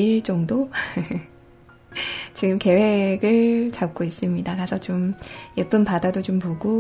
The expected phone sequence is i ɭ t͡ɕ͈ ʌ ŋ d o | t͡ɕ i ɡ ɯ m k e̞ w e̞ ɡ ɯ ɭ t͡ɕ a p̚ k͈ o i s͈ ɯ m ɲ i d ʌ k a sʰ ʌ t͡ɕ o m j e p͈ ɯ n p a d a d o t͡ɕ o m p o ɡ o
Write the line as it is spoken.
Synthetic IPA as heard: i ɭ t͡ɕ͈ ʌ ŋ d o | t͡ɕ i ɡ ɯ m k e̞ w e̞ ɡ ɯ ɭ t͡ɕ a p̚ k͈ o i s͈ ɯ m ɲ i d a k a sʰ ʌ t͡ɕ o m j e p͈ ɯ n p a d a d o t͡ɕ o m p o ɡ o